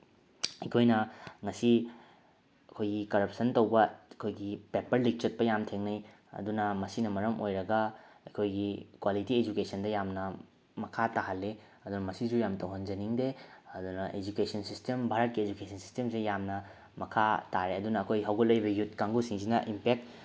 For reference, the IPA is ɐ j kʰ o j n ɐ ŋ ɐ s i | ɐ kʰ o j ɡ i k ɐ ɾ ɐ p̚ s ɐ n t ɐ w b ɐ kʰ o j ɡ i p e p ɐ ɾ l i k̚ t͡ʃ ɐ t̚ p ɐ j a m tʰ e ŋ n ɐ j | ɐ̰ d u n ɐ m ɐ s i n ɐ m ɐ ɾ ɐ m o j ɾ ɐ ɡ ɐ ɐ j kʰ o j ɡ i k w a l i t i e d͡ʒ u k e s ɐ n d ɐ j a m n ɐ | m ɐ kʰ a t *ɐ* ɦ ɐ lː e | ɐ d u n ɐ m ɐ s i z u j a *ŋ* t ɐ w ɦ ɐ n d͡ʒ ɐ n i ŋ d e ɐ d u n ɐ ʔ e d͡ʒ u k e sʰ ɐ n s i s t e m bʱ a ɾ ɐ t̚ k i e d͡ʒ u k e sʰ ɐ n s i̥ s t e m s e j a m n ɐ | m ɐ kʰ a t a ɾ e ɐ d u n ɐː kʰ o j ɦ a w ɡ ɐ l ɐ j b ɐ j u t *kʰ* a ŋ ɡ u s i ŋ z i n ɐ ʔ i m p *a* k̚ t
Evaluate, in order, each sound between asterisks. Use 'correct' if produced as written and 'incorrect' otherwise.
incorrect: a, incorrect: m, incorrect: k, incorrect: e

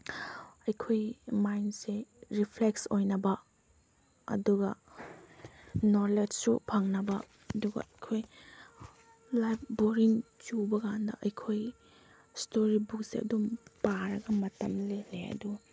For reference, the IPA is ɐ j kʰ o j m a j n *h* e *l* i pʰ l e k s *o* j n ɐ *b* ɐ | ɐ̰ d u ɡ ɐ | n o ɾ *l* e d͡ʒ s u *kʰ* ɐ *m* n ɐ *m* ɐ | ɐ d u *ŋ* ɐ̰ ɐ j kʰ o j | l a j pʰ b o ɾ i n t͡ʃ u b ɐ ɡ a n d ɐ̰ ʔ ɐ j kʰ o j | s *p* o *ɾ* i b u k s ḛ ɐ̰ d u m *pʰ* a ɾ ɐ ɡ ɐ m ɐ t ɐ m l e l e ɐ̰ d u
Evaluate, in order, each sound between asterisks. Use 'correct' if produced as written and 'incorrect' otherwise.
incorrect: s, incorrect: ɾ, correct, correct, correct, incorrect: pʰ, incorrect: ŋ, incorrect: b, incorrect: ɡ, incorrect: t, correct, incorrect: p

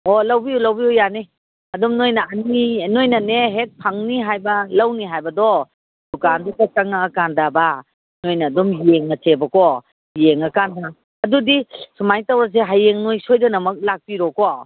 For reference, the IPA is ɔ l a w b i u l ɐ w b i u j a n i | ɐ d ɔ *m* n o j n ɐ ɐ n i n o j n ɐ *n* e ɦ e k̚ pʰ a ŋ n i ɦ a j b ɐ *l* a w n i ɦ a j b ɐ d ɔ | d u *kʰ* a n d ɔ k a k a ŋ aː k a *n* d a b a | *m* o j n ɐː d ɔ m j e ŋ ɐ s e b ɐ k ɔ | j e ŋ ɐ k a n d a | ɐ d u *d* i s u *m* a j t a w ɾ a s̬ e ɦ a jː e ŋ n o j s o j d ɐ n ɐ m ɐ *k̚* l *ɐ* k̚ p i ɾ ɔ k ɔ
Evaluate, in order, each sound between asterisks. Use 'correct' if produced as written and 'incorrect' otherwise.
correct, correct, correct, incorrect: k, correct, incorrect: n, correct, correct, correct, incorrect: a

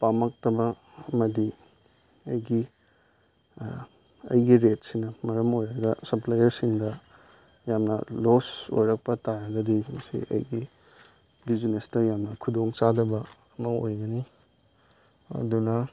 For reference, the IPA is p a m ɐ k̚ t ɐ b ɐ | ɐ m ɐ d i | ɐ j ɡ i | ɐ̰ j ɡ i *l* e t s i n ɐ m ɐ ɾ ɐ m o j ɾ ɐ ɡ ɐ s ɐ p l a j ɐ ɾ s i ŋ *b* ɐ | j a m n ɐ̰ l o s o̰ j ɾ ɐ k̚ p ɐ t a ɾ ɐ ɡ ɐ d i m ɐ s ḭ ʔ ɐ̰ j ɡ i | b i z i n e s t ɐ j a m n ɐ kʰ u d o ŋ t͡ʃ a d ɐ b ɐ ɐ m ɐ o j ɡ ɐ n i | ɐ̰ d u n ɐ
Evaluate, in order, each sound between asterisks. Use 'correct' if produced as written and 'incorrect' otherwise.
incorrect: ɾ, incorrect: d

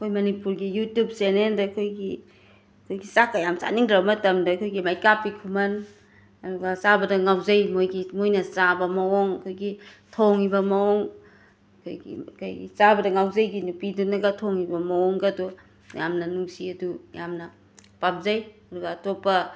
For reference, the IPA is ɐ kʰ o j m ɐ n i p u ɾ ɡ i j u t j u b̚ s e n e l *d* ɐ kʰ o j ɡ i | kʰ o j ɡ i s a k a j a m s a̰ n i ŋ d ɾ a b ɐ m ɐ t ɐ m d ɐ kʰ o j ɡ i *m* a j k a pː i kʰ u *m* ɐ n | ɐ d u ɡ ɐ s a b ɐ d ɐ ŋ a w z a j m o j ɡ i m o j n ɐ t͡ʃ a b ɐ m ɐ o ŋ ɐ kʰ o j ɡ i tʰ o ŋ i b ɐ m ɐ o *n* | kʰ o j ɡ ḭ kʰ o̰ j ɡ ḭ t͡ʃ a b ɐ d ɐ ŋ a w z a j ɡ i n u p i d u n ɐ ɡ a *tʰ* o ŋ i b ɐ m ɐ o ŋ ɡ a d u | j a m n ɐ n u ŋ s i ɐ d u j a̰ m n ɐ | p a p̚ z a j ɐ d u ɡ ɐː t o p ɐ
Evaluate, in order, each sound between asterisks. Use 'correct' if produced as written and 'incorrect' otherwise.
correct, correct, correct, incorrect: ŋ, correct

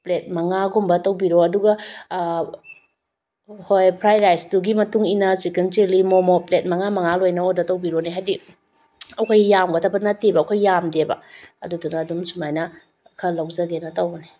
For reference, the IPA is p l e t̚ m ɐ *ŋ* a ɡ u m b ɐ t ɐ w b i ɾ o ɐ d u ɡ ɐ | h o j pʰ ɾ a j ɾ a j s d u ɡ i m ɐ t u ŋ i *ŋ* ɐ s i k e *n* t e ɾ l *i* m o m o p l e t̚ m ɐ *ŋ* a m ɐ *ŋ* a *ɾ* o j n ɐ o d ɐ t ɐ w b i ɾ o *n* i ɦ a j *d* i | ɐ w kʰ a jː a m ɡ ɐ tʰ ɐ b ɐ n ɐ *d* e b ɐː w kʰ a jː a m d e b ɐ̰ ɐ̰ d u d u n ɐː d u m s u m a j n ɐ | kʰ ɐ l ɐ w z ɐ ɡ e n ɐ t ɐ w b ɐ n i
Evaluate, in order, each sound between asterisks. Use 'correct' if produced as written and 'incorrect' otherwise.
correct, incorrect: n, correct, correct, correct, correct, incorrect: l, correct, correct, incorrect: t

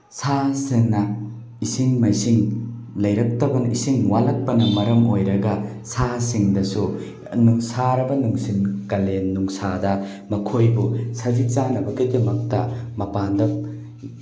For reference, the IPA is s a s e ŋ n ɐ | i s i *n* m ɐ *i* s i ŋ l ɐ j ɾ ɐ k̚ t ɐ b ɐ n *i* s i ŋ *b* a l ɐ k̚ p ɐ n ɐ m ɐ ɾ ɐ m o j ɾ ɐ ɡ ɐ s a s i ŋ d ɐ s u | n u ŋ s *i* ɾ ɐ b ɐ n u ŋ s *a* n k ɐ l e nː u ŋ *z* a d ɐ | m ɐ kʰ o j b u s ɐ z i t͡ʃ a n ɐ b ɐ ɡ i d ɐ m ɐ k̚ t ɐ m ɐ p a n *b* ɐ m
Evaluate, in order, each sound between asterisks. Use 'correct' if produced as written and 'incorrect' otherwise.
incorrect: ŋ, incorrect: j, correct, incorrect: w, incorrect: a, incorrect: i, incorrect: s, incorrect: d

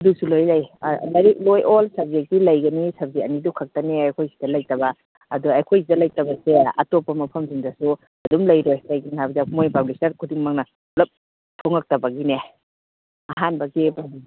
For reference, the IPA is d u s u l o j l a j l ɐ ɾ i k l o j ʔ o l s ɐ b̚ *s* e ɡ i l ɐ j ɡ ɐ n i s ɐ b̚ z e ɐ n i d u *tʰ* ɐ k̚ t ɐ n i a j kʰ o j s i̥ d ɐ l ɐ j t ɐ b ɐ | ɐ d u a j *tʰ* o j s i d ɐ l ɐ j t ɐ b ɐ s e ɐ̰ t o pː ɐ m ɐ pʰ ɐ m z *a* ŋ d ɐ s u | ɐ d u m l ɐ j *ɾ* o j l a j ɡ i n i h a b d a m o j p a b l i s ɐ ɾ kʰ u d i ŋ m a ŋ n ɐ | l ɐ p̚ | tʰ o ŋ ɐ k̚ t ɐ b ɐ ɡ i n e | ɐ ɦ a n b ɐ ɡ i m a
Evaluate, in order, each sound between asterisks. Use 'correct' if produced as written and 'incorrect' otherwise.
incorrect: z, incorrect: kʰ, incorrect: kʰ, incorrect: i, correct

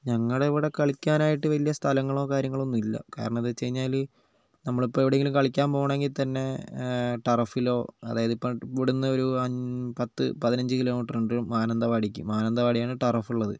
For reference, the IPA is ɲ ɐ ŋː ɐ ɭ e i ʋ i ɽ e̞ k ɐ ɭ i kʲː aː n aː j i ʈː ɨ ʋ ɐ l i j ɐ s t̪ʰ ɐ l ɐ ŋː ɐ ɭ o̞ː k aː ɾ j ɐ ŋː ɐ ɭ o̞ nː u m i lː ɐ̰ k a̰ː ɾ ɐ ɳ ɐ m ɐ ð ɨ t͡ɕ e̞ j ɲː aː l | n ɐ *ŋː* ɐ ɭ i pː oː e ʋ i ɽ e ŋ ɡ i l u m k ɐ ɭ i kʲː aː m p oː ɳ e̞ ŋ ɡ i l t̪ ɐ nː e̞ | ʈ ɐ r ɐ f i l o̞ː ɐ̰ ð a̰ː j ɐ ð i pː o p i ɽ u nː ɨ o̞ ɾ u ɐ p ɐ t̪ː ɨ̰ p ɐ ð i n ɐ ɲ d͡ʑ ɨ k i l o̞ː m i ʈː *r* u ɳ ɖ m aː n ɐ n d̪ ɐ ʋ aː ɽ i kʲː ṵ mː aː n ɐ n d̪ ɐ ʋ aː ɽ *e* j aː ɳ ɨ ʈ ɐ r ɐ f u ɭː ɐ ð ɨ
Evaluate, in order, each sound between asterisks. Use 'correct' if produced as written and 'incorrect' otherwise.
incorrect: mː, correct, incorrect: i

